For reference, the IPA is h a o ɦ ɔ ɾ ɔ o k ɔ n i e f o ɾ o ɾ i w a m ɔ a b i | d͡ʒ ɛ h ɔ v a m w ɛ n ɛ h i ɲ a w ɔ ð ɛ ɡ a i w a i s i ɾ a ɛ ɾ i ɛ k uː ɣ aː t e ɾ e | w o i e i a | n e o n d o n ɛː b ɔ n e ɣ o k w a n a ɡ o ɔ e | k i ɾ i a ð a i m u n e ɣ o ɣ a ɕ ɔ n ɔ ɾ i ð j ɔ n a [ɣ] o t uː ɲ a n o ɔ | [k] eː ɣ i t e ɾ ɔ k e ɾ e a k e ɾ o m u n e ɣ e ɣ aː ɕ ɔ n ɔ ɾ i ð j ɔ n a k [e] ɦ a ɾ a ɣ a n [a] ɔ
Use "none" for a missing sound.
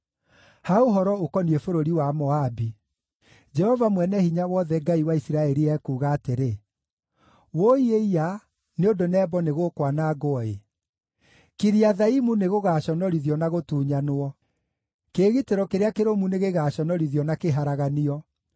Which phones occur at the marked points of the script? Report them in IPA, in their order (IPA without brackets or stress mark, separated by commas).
ɣ, k, e, i